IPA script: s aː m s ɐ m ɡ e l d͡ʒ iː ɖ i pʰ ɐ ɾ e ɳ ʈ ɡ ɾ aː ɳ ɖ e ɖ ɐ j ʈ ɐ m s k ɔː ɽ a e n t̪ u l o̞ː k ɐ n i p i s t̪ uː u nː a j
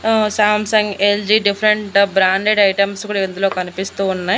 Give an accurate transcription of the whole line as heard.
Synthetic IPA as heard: s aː m s ɐ ŋ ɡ e l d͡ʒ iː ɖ i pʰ ɐ ɾ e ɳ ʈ b ɾ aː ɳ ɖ e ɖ ɐ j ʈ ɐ m s k uː ɽ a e n d̪ u l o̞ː k ɐ n i p i s t̪ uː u nː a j

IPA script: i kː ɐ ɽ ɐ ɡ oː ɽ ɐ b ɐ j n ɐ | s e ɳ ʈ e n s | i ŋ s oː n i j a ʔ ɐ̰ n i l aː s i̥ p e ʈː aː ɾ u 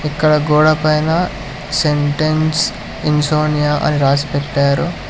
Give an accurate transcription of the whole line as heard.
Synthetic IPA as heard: i kː ɐ ɽ ɐ ɡ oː ɽ ɐ p ɐ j n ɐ | s e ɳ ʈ e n s | i n s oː n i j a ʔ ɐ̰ n i ɾ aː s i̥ p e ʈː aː ɾ u

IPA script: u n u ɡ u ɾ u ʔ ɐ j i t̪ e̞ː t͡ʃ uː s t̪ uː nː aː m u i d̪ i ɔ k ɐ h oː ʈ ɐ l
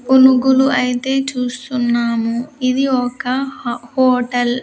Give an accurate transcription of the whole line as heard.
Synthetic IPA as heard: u n u ɡ u l u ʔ ɐ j i t̪ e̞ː t͡ʃ uː s t̪ u nː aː m u i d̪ i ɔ k ɐ h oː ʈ ɐ l

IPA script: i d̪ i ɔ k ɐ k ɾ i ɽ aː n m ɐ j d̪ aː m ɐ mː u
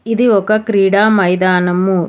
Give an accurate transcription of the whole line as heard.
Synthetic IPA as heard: i d̪ i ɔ k ɐ k ɾ iː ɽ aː m ɐ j d̪ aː n ɐ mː u

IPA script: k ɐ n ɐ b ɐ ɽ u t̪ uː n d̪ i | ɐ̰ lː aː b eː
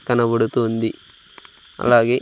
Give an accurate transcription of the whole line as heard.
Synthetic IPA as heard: k ɐ n ɐ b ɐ ɽ u t̪ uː n d̪ i | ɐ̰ l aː ɡ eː

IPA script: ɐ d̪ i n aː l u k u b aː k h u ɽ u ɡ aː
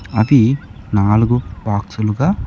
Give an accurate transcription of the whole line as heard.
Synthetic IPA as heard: ɐ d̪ i n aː l u ɡ u b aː k s u l u ɡ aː

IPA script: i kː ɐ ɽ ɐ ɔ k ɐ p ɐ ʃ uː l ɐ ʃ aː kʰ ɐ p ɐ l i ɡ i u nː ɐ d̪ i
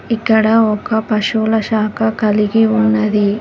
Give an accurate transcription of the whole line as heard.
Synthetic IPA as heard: i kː ɐ ɽ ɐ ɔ k ɐ p ɐ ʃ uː l ɐ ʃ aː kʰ ɐ k ɐ l i ɡ i u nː ɐ d̪ i

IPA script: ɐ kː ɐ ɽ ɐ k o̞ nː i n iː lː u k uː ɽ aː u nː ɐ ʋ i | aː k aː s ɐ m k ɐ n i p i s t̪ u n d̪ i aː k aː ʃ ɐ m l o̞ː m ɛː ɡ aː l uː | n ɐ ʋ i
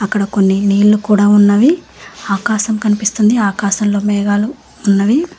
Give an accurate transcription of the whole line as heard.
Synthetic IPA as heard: ɐ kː ɐ ɽ ɐ k o̞ nː i n iː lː u k uː ɽ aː u nː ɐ ʋ i | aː k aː ʃ ɐ m k ɐ n i p i s t̪ u n d̪ i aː k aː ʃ ɐ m l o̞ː m ɛː ɡ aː l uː | nː ɐ ʋ i

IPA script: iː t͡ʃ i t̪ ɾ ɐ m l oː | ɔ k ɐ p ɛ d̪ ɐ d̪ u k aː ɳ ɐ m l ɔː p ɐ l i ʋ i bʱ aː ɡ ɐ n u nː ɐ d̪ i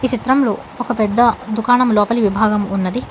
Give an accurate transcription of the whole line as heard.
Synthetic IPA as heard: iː t͡ʃ i t̪ ɾ ɐ m l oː | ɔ k ɐ p ɛ d̪ː ɐ d̪ u k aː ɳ ɐ m l ɔː p ɐ l i ʋ i bʱ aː ɡ ɐ m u nː ɐ d̪ i

